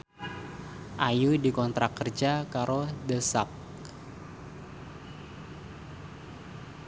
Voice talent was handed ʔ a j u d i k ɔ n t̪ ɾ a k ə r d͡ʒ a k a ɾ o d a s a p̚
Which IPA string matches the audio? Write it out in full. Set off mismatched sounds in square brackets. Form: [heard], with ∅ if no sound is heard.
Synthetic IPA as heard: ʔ a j u d i k ɔ n t̪ ɾ a k ə r d͡ʒ a k a ɾ o d [ə] s a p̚